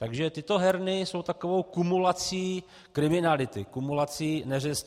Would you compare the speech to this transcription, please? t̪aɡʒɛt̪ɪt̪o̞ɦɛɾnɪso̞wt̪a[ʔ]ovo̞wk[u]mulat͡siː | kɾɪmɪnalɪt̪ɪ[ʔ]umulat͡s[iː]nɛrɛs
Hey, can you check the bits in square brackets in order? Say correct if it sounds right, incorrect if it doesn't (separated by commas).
incorrect, correct, incorrect, correct